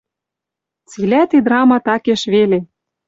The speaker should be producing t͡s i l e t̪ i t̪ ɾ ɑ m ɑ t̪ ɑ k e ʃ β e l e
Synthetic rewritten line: t͡s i l æ t̪ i d̪ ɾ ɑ m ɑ t̪ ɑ k e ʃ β e l e